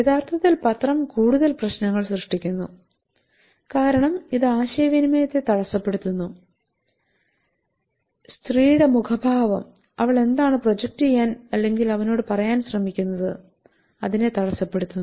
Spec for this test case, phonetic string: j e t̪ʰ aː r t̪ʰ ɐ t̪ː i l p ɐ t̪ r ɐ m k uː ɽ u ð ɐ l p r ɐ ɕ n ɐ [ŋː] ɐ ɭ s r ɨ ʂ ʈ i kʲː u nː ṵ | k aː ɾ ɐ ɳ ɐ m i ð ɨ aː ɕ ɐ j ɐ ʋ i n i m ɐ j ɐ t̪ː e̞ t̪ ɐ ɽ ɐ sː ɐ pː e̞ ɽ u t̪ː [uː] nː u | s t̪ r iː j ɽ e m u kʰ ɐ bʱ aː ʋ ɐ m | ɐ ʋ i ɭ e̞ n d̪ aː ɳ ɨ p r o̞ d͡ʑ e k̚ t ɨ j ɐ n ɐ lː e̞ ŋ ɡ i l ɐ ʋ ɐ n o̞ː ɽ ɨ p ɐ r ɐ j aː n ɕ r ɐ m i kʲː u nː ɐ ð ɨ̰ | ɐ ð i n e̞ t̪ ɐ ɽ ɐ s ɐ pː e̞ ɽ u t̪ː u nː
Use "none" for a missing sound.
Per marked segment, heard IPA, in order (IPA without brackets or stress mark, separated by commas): ŋː, u